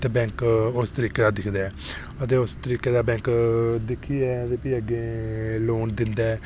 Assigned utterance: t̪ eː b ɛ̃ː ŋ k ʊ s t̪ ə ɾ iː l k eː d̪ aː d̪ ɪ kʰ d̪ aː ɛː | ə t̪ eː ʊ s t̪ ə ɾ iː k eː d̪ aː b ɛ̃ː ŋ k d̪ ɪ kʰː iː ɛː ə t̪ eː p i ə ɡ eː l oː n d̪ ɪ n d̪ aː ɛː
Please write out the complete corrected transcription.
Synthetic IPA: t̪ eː b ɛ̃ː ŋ k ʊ s t̪ ə ɾ iː k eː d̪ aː d̪ ɪ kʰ d̪ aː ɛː | ə t̪ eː ʊ s t̪ ə ɾ iː k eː d̪ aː b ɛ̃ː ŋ k d̪ ɪ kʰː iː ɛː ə t̪ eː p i ə ɡ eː l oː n d̪ ɪ n d̪ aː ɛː